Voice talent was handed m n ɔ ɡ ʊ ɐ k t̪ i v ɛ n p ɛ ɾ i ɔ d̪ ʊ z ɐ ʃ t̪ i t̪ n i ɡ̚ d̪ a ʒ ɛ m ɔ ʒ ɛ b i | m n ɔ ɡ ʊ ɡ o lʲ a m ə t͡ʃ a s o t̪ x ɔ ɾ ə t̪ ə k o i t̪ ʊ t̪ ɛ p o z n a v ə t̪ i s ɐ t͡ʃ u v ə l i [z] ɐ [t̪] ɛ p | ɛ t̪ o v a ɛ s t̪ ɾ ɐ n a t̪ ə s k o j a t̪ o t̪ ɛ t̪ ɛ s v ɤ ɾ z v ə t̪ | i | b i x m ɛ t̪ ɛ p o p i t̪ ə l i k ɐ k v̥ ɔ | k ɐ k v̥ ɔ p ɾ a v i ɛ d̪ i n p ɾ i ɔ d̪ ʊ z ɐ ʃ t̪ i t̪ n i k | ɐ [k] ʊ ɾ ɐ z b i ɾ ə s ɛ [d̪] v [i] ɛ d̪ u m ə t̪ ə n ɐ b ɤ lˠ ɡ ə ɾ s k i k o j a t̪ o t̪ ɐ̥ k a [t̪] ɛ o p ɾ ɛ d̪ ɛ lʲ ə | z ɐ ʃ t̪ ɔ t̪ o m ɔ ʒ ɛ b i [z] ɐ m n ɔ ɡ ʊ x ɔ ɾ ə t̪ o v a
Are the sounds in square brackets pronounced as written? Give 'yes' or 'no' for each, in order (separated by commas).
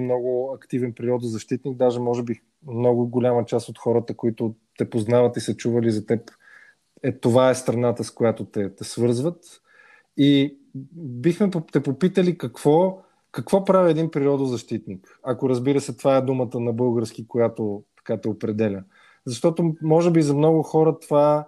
yes, yes, yes, no, no, yes, yes